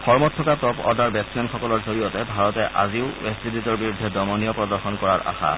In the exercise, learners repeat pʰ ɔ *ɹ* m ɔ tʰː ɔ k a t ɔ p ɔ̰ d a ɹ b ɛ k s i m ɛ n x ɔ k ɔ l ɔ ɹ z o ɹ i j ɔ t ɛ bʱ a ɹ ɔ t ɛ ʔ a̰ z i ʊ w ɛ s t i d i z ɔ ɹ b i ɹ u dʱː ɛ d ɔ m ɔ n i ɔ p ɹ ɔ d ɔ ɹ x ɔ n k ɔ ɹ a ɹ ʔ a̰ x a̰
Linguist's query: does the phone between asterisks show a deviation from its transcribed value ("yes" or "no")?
no